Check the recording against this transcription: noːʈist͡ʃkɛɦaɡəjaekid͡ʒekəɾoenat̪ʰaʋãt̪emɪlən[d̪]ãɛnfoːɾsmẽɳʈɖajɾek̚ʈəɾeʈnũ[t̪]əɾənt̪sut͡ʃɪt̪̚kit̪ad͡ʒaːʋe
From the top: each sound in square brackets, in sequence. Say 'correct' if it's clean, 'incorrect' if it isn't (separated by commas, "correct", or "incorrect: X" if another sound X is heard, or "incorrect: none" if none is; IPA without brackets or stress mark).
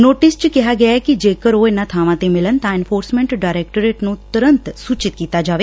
incorrect: t̪, correct